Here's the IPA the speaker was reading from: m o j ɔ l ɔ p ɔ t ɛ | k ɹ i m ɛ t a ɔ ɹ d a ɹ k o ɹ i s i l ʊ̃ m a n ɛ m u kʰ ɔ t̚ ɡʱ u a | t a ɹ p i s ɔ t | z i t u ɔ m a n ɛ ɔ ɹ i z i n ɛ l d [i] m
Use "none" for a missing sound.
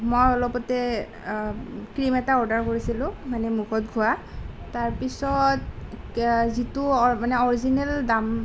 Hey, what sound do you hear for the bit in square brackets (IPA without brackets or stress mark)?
a